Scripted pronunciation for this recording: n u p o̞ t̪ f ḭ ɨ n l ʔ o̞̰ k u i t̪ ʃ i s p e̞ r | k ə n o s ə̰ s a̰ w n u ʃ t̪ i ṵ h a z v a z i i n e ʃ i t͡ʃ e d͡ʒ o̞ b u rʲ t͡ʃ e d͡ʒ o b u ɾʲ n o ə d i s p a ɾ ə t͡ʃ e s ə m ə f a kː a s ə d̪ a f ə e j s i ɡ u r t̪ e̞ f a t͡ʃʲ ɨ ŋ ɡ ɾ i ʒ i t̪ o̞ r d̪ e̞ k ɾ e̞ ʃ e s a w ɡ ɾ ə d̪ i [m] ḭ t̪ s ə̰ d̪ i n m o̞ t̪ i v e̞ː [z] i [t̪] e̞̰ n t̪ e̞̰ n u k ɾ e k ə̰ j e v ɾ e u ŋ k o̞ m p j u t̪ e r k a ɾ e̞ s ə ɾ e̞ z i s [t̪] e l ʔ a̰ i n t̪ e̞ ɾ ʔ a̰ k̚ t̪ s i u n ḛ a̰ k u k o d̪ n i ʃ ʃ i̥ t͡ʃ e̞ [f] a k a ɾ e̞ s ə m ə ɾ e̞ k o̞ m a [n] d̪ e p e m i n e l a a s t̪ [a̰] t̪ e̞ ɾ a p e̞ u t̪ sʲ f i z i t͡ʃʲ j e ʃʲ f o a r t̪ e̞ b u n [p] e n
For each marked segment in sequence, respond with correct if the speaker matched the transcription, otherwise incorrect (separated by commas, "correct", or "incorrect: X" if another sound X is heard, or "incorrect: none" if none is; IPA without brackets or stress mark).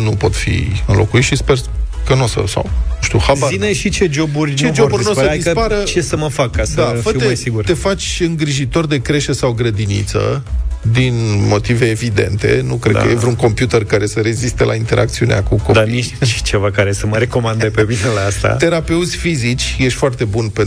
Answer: incorrect: n, incorrect: v, incorrect: d̪, correct, incorrect: v, correct, correct, correct